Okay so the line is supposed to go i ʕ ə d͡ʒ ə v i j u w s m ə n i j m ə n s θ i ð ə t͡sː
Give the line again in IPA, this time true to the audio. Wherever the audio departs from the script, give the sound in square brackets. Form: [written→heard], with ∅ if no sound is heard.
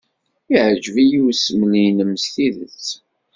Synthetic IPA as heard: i ʕ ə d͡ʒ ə v i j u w s m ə n i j [m→n] ə [n→m] s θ i ð ə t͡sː